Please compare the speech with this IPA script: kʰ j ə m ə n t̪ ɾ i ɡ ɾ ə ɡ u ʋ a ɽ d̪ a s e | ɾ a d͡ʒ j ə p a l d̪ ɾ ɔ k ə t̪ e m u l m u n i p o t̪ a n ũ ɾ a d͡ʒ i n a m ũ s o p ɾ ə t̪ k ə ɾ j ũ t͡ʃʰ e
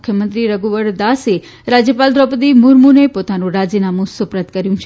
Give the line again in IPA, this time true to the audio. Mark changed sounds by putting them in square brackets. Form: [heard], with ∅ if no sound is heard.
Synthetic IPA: kʰ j ə m ə n t̪ ɾ i [∅] ɾ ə ɡ u ʋ [ə] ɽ d̪ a s e | ɾ a d͡ʒ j ə p a l d̪ ɾ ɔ [p] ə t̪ [i] m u [ɾ] m u n [e] p o t̪ a n ũ ɾ a d͡ʒ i n a m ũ s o p ɾ ə t̪ k ə ɾ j ũ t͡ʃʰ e